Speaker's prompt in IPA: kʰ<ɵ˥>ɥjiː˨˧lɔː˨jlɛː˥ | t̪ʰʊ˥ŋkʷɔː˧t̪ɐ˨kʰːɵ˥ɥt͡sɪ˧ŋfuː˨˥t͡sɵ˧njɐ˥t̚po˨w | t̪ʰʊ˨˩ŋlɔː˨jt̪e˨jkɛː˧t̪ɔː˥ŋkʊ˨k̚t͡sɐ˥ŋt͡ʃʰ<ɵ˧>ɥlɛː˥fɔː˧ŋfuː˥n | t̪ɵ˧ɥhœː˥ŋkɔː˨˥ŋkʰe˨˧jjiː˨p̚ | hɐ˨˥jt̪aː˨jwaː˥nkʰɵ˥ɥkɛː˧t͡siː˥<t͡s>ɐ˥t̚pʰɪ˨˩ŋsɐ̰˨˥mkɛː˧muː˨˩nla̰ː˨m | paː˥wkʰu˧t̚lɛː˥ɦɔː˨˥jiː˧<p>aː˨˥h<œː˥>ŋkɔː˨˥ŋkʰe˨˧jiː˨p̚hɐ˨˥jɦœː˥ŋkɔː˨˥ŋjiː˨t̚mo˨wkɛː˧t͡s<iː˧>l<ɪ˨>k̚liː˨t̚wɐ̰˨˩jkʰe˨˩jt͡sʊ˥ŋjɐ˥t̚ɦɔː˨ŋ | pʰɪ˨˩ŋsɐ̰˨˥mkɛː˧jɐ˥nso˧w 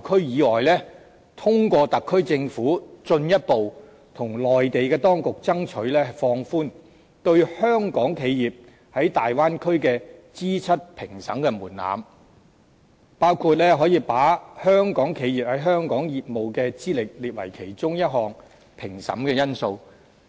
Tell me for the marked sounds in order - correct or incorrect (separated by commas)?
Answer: correct, incorrect, incorrect, correct, correct, incorrect, correct